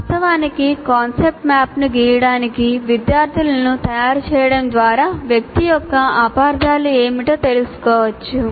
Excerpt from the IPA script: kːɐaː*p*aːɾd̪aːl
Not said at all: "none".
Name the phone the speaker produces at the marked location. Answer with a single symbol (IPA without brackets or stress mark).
p